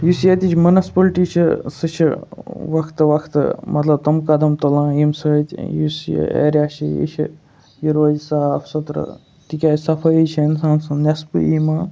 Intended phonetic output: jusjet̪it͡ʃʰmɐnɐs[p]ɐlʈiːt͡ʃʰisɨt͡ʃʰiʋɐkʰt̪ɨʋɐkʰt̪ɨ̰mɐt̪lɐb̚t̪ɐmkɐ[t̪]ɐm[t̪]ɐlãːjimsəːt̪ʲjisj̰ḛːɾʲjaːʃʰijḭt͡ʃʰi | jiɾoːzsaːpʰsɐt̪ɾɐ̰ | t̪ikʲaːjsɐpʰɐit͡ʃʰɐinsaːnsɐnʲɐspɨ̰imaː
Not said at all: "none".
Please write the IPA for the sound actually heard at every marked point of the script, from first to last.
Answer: p, d̪, t̪

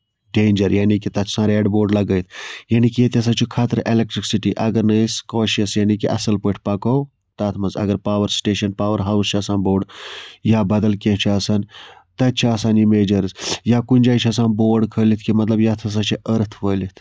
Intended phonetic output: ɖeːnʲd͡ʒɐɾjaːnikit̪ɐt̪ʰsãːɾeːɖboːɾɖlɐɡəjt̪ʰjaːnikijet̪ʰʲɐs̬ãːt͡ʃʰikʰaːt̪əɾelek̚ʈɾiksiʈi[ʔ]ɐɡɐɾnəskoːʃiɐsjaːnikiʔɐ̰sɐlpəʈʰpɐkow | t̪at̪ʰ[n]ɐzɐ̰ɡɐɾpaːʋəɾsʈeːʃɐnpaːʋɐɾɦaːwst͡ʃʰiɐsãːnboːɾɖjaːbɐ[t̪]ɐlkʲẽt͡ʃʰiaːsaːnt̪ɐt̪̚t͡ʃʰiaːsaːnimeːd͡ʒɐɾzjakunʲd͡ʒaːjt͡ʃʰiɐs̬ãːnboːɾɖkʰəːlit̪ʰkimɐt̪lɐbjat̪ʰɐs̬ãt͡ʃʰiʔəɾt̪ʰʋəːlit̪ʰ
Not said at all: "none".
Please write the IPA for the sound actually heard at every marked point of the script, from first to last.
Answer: ʔ, m, d̪

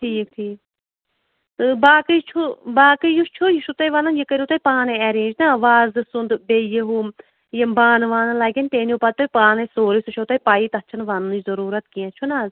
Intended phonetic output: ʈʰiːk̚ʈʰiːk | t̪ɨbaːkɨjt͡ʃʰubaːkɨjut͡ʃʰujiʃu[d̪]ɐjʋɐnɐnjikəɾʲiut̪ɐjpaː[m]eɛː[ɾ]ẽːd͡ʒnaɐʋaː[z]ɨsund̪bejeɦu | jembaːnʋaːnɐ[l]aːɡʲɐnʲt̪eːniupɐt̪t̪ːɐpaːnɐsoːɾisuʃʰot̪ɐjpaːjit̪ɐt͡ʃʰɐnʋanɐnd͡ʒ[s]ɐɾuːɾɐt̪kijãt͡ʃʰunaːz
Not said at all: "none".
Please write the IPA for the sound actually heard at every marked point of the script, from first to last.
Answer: t̪, n, ɾ, z, l, z

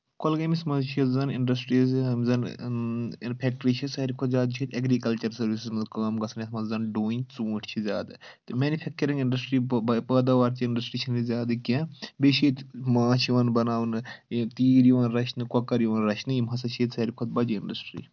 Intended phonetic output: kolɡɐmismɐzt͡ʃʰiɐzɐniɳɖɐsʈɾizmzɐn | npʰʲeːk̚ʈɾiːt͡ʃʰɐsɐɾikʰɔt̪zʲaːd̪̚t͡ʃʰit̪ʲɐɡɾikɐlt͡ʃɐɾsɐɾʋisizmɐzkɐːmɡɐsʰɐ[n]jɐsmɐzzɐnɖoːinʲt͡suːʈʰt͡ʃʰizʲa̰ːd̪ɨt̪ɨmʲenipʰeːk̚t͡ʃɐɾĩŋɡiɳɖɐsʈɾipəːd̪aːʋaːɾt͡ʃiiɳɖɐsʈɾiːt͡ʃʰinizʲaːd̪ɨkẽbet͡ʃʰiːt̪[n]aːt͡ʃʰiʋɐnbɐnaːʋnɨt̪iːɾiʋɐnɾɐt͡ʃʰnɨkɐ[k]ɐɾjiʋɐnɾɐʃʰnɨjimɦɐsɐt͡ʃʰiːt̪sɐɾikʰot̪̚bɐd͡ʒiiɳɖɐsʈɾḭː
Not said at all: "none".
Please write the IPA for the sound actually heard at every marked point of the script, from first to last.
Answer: n, m, k

